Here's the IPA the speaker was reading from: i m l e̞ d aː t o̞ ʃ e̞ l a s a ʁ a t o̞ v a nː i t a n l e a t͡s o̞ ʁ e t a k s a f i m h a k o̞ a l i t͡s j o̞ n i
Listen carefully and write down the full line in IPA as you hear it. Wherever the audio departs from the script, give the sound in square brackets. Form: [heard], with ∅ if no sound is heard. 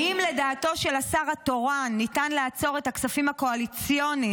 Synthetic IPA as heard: i m l e̞ d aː t o̞ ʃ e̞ l a s a ʁ a t o̞ [ʁ] a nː i t a n l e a t͡s o̞ ʁ e t a k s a f i m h a k o̞ a l i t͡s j o̞ n i